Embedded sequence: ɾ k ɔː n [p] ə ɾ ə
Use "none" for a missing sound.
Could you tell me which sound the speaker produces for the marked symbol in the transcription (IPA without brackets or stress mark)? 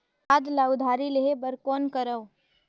k